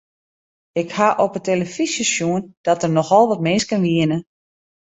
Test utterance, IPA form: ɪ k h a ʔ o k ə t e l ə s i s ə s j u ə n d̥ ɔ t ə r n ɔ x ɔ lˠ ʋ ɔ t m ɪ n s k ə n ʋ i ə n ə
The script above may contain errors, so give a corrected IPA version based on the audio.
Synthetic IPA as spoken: ɪ k h a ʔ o p ə t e l ə f i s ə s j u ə n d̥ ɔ t ə r n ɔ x ɔ lˠ ʋ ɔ t m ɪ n s k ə n ʋ i ə n ə